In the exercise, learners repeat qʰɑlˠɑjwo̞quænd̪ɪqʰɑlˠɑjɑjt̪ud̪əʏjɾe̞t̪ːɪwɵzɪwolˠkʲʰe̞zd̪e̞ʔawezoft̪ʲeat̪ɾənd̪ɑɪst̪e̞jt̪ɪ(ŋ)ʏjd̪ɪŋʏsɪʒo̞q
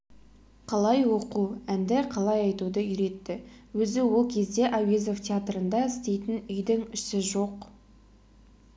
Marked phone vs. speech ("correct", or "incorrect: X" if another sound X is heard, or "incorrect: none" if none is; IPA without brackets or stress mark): incorrect: n